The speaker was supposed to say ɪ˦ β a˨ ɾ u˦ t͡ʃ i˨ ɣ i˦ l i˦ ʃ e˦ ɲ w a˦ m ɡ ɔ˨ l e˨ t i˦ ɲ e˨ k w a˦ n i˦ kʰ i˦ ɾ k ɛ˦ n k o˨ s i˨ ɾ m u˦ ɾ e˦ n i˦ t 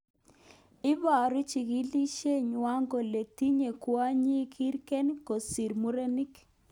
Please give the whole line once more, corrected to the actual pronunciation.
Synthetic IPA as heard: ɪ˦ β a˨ ɾ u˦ t͡ʃ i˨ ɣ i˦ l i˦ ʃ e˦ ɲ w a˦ ŋ ɡ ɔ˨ l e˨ t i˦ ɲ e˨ k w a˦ ɲ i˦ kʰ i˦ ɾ k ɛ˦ n k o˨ s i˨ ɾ m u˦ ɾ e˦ n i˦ k